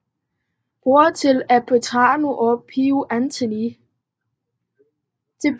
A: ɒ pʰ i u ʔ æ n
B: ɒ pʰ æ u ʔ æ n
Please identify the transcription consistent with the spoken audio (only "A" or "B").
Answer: A